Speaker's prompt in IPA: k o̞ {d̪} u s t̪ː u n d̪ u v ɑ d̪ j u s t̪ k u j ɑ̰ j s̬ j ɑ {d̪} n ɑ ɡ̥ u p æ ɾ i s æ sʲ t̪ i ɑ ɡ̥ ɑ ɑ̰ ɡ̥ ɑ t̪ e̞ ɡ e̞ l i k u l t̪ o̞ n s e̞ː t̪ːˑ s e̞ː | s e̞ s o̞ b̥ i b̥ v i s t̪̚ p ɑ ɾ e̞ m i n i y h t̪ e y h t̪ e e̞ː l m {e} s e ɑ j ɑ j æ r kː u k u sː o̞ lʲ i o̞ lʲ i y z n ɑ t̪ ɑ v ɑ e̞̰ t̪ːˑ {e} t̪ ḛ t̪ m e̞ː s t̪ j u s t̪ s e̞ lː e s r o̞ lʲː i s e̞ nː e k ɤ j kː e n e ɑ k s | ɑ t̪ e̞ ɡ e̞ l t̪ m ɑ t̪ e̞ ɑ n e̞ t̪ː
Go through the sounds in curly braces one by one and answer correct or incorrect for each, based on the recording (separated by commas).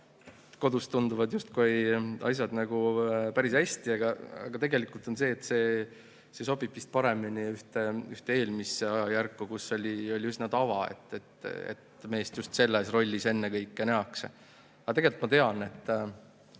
correct, correct, incorrect, correct